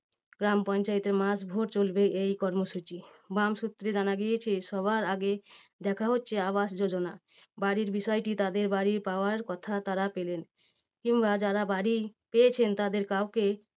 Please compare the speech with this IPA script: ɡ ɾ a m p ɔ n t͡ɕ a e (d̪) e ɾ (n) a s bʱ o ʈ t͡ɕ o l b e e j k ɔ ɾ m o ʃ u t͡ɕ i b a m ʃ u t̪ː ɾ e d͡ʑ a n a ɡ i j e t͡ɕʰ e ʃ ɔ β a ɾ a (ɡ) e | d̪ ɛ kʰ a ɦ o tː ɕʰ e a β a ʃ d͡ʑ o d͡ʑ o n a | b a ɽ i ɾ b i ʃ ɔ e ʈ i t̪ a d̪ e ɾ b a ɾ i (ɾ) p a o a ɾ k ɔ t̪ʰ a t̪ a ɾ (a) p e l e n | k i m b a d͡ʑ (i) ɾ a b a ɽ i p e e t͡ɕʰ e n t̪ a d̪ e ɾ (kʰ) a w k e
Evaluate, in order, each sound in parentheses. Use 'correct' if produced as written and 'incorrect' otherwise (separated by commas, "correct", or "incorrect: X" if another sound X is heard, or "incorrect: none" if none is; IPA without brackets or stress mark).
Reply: incorrect: t̪, incorrect: m, correct, correct, correct, incorrect: a, incorrect: k